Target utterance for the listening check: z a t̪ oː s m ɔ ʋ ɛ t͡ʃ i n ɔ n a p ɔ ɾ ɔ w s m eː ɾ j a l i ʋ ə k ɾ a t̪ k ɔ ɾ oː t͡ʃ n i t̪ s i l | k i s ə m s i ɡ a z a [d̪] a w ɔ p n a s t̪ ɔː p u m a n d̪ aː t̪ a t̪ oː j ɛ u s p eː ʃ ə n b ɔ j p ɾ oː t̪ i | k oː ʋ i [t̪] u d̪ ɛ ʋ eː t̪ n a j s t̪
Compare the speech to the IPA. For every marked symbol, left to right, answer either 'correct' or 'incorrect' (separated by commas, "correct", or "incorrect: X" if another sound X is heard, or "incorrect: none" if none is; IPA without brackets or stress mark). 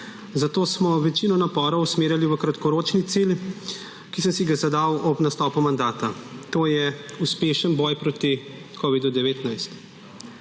correct, incorrect: d̪